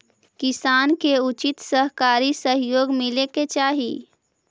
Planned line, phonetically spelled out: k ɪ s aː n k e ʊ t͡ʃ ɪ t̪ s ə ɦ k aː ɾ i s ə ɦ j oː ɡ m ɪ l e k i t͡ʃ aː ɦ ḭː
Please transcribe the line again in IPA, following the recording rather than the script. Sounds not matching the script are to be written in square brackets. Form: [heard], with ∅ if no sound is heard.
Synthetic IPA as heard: k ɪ s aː n k e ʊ t͡ʃ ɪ t̪ s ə ɦ k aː ɾ i s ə ɦ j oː ɡ m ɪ l e k [e] t͡ʃ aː ɦ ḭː